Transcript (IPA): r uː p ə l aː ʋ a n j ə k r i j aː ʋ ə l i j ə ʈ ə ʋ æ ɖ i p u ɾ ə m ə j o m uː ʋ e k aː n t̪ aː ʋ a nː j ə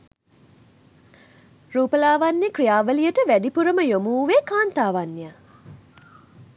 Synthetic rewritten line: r uː p ə l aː ʋ a n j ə k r i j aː ʋ ə l i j ə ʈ ə ʋ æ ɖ i p u ɾ ə m ə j o m uː ʋ e k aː n t̪ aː ʋ a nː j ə